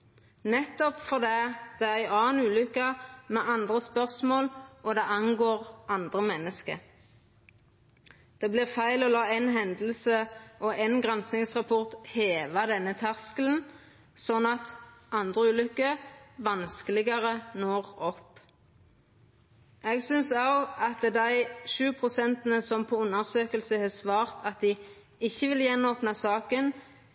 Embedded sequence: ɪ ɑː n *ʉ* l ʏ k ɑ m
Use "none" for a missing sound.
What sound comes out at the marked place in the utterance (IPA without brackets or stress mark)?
ʉː